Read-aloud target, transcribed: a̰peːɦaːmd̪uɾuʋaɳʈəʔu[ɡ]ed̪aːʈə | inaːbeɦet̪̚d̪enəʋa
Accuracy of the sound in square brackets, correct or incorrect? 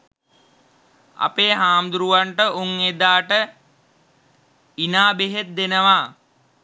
incorrect